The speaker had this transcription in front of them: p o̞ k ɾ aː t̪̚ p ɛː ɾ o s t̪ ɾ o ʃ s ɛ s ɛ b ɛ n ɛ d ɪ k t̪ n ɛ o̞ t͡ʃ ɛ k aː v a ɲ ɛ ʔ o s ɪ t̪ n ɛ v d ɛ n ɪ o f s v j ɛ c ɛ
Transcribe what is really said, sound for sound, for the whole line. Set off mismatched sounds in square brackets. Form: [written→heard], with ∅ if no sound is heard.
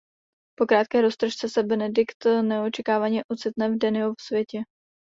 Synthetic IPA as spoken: p o̞ k ɾ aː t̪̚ [p→k] ɛː ɾ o s t̪ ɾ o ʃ [s→t͡s] ɛ s ɛ b ɛ n ɛ d ɪ k t̪ n ɛ o̞ t͡ʃ ɛ k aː v a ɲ ɛ ʔ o [s→t͡s] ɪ t̪ n ɛ v d ɛ n ɪ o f s v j ɛ c ɛ